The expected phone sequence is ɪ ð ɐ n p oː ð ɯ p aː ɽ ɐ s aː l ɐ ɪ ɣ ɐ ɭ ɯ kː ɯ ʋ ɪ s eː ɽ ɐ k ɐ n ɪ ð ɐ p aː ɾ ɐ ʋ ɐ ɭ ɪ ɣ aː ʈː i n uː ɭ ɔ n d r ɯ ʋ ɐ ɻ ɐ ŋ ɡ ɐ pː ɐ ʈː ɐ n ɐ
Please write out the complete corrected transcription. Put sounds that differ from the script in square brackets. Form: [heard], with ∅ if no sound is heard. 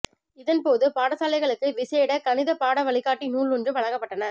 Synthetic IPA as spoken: ɪ ð ɐ n p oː ð ɯ p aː ɽ ɐ s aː l ɐ ɪ ɣ ɐ ɭ ɯ kː ɯ ʋ ɪ s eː ɽ ɐ k ɐ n ɪ ð ɐ p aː [ɽ] ɐ ʋ ɐ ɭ ɪ ɣ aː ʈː i n uː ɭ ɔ n d r ɯ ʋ ɐ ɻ ɐ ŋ ɡ ɐ pː ɐ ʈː ɐ n ɐ